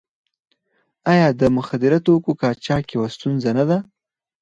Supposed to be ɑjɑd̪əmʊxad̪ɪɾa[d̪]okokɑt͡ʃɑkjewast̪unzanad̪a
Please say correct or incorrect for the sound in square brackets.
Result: incorrect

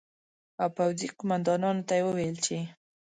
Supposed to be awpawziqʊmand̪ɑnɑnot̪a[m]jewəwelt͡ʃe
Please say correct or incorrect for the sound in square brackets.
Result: incorrect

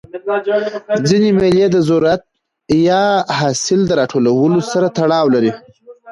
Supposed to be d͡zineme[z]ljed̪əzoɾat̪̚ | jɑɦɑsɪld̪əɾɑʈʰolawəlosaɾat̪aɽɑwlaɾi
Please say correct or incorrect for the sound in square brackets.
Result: incorrect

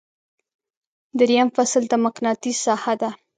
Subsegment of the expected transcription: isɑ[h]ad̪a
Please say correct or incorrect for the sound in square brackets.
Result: correct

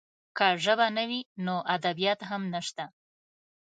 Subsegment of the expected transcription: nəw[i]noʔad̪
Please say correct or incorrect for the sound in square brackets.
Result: correct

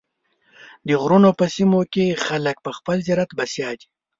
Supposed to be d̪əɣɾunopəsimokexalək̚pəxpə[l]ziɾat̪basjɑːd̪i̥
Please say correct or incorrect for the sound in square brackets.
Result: correct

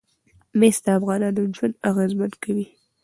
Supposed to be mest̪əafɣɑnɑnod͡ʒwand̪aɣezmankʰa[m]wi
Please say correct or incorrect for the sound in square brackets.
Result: incorrect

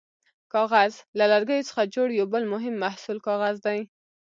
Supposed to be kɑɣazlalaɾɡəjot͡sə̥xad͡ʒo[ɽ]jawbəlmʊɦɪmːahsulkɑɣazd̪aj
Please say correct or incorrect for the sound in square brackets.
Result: correct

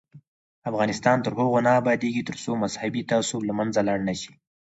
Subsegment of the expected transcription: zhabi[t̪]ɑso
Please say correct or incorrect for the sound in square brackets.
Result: correct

